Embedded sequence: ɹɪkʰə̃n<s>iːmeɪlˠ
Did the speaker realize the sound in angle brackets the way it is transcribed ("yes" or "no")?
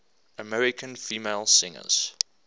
no